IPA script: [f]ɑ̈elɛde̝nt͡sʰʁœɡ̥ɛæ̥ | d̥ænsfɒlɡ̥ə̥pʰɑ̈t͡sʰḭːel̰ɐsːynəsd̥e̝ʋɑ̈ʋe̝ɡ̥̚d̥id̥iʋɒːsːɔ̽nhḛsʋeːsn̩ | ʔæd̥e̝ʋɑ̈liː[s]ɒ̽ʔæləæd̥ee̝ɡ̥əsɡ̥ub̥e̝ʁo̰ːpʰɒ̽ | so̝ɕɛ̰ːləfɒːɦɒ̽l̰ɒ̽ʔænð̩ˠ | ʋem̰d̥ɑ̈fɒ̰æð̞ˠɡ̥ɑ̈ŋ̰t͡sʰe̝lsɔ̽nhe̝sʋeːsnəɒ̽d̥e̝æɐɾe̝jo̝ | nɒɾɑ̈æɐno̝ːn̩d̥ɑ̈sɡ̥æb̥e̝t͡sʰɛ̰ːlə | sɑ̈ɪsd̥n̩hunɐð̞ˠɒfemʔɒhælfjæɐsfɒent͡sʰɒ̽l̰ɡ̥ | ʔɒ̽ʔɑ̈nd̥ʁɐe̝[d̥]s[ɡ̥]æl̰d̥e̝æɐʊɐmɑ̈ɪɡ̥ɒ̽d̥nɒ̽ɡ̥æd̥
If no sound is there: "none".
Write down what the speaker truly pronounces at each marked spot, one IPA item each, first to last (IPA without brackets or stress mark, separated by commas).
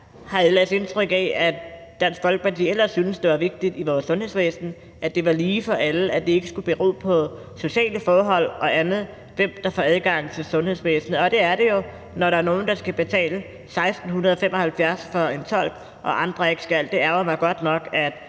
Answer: h, f, ɡ̥, ɡ̥